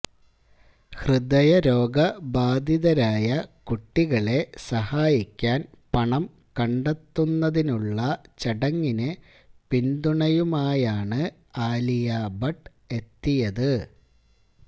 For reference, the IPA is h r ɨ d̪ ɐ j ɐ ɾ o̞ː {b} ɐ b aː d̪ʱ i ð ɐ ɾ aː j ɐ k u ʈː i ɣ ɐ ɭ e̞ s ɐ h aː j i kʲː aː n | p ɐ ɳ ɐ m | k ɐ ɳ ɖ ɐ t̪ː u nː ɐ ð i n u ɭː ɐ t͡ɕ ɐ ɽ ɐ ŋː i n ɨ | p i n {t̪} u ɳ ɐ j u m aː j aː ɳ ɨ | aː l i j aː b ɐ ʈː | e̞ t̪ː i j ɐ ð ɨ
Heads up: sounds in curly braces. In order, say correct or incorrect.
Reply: incorrect, incorrect

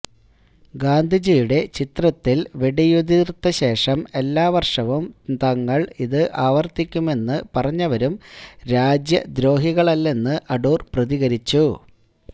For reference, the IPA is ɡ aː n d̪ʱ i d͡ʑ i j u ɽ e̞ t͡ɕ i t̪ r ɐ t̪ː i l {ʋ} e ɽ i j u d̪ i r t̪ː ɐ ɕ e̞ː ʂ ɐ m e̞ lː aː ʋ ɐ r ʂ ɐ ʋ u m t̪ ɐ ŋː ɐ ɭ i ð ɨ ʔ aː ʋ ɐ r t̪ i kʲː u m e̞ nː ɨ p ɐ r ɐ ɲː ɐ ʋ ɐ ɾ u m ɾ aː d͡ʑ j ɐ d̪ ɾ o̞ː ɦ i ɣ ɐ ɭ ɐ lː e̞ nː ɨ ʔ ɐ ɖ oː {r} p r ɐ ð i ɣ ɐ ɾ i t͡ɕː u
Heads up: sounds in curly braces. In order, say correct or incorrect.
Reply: correct, correct

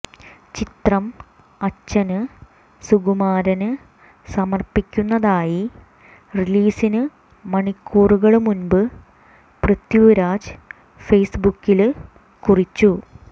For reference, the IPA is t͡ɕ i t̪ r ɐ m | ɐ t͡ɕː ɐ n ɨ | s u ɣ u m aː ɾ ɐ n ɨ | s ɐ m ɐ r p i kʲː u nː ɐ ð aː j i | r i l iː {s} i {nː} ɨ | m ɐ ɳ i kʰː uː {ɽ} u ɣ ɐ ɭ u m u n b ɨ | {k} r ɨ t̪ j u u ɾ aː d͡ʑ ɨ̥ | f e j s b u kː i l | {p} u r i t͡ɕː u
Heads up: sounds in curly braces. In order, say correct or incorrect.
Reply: correct, incorrect, incorrect, incorrect, incorrect

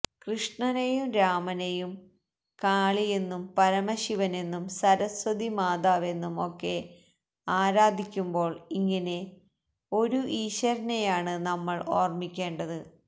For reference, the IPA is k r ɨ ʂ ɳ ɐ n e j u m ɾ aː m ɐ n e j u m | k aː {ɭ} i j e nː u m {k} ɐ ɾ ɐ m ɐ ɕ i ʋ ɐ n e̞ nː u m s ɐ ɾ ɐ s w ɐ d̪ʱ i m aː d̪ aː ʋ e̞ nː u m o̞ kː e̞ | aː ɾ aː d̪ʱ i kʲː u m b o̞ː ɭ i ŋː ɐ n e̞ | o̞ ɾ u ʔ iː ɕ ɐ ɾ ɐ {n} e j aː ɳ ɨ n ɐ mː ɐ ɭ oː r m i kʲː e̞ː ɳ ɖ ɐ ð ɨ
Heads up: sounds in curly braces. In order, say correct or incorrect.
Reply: correct, incorrect, correct

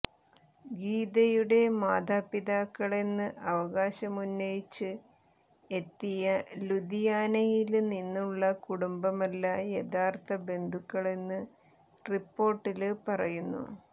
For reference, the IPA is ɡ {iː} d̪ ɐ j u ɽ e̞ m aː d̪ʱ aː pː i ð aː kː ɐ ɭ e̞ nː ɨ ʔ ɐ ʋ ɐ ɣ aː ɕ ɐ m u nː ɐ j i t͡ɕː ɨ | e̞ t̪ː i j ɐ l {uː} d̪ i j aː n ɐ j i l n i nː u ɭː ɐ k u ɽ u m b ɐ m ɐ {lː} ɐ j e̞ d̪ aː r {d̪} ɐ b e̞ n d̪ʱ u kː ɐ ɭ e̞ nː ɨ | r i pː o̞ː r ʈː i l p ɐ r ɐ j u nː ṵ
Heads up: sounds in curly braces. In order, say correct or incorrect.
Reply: correct, incorrect, correct, incorrect

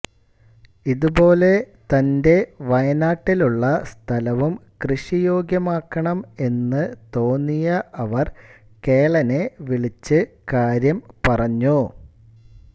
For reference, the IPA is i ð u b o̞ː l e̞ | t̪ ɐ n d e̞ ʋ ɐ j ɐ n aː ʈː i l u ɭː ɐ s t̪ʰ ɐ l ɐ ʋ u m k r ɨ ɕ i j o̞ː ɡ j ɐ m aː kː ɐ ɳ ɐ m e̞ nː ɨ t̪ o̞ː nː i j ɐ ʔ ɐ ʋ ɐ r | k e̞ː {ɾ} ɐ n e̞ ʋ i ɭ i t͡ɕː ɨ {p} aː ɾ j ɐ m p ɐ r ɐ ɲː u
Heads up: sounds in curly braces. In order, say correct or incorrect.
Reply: incorrect, incorrect

